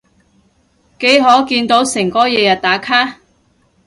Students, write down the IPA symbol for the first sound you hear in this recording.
k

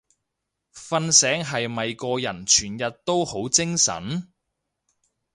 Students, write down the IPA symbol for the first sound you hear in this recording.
f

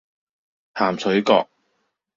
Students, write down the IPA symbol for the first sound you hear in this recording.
h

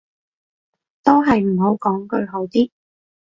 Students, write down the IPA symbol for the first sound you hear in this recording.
t̪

